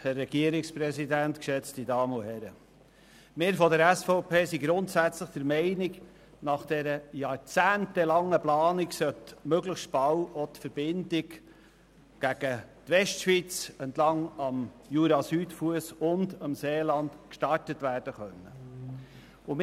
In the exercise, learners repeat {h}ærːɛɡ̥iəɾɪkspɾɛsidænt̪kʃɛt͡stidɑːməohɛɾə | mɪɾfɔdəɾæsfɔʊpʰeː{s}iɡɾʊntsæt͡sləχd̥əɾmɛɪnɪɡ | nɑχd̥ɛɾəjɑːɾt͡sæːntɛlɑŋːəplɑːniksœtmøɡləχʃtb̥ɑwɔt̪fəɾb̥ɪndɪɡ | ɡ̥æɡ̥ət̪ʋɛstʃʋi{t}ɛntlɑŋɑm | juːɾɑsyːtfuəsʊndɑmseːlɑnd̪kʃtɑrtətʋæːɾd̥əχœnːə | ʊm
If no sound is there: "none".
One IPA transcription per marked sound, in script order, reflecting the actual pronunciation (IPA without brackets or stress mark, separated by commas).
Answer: h, s, t͡s